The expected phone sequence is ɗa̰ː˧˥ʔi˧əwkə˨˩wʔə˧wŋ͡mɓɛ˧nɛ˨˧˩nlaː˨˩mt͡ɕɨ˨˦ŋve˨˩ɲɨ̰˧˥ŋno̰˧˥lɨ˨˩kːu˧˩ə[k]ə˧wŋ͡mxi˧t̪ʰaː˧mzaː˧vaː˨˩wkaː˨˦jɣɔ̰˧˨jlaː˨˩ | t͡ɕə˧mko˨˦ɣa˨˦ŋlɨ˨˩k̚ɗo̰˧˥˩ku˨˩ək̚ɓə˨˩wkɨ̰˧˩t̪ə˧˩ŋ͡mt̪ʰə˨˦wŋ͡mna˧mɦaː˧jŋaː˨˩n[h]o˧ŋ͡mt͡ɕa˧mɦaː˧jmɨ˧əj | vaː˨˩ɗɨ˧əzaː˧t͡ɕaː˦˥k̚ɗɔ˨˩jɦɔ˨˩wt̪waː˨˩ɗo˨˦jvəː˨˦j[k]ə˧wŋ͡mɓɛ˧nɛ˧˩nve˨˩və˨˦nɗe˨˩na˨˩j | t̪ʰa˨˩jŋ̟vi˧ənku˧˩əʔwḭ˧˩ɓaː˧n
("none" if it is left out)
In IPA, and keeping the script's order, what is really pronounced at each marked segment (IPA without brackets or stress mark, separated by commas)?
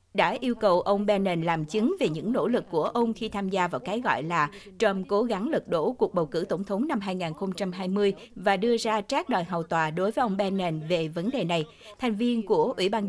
ʔ, x, ʔ